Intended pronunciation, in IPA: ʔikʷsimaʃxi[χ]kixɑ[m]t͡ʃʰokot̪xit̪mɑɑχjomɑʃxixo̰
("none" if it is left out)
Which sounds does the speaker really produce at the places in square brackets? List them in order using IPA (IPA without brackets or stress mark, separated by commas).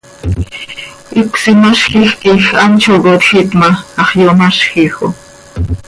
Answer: x, n